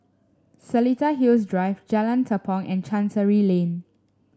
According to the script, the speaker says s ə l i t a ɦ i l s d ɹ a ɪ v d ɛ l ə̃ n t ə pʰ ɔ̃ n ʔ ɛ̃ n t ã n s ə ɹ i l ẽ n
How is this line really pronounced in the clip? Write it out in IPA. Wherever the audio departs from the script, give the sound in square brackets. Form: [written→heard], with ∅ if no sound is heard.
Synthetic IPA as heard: s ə l i t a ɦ i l s d ɹ a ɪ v [d→d͡ʒ] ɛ l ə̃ n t ə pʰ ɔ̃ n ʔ ɛ̃ n [t→t͡ʃ] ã n s ə ɹ i l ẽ n